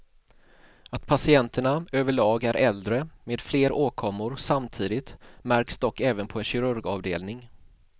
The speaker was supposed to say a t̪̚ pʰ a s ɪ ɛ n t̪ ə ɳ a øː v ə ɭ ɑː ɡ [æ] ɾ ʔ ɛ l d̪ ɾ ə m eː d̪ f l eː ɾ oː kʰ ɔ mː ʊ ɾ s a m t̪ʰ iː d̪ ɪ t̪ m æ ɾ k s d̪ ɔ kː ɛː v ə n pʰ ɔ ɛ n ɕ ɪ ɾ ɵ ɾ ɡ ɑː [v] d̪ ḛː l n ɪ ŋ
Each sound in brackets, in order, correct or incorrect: correct, correct

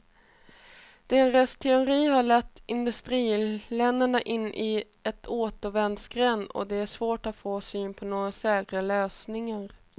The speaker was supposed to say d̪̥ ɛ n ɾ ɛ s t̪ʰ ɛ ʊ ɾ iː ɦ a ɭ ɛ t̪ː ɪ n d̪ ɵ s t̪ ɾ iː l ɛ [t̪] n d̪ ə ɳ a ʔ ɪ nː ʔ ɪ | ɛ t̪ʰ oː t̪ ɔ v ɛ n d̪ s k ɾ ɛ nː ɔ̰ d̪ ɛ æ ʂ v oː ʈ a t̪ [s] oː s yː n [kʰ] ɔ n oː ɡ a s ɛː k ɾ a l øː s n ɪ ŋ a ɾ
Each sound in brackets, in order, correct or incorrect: incorrect: none, incorrect: f, incorrect: pʰ

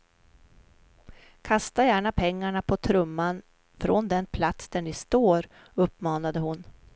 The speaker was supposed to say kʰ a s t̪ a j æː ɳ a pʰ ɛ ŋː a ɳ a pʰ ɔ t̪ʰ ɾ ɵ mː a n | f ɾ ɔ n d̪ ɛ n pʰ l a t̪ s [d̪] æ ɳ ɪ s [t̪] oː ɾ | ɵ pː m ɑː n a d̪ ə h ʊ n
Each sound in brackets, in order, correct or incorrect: correct, correct

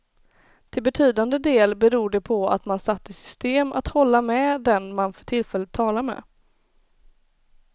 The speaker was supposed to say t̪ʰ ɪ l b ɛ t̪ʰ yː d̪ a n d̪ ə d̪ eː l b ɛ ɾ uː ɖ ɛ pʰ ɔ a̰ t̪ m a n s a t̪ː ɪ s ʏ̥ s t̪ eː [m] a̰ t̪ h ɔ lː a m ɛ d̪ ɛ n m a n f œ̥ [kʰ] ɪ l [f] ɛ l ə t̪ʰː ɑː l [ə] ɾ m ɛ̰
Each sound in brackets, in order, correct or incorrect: correct, incorrect: ʈʰ, correct, incorrect: a

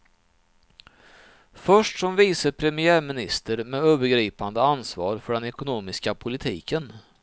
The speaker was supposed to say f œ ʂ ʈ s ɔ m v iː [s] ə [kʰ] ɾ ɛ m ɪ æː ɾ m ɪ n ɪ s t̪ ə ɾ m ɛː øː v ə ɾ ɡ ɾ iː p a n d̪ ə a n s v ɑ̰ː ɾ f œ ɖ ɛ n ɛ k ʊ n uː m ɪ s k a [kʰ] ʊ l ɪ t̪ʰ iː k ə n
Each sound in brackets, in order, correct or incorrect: correct, incorrect: pʰ, incorrect: pʰ

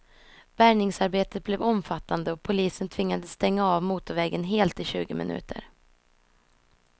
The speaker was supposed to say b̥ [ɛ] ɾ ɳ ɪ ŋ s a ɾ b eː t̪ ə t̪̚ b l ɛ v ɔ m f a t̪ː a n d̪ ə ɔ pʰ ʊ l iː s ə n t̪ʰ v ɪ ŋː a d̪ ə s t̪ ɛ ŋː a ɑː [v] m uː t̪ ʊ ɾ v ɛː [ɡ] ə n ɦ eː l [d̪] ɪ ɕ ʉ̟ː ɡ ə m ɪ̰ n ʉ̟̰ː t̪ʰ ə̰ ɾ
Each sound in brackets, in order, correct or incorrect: incorrect: æ, correct, correct, incorrect: t̪

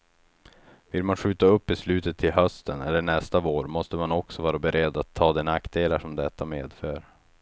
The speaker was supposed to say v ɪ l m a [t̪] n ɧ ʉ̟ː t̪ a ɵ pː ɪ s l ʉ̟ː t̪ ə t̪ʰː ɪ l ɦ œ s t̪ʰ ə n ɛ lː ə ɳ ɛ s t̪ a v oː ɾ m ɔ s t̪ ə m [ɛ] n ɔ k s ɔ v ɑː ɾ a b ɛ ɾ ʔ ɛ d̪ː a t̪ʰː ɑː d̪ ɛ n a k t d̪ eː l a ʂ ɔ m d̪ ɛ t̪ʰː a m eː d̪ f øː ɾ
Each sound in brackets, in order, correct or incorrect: incorrect: none, incorrect: a

